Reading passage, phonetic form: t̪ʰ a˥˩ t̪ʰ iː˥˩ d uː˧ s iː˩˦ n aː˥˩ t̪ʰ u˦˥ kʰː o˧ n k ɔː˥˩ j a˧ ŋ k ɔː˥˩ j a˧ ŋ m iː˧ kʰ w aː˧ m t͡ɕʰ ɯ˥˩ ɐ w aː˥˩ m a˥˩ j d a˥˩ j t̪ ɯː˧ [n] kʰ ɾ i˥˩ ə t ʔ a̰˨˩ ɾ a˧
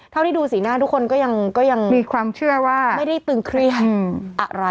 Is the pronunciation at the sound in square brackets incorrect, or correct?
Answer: incorrect